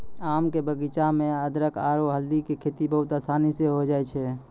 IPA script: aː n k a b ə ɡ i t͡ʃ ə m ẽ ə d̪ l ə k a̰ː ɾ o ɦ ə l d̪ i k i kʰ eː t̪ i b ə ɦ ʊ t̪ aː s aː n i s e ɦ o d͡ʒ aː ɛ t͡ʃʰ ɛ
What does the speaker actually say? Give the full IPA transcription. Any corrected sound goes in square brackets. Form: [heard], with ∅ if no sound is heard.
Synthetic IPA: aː [m] k [e] b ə ɡ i t͡ʃ [a] m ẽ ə d̪ [ɾ] ə k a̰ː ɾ o ɦ ə l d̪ i k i kʰ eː t̪ i b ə ɦ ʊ t̪ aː s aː n i s e ɦ o d͡ʒ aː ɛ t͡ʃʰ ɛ